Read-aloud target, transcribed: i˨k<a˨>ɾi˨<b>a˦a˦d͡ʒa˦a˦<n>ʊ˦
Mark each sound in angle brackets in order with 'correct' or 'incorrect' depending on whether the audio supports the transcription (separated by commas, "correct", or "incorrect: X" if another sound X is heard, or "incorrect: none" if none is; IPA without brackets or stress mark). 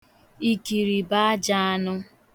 incorrect: i˨, correct, correct